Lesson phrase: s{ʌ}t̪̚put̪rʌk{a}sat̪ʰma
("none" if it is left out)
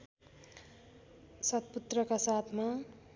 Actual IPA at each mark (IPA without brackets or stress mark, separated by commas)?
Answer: ʌ, a